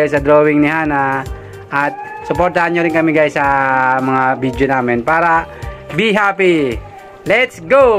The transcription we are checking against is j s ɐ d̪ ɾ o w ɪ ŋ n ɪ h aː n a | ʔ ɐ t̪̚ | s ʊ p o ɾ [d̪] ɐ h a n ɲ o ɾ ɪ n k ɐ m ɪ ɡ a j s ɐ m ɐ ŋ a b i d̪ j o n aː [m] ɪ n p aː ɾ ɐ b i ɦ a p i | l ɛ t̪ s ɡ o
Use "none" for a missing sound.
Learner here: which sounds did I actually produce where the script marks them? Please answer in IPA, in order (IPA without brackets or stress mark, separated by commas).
t̪, m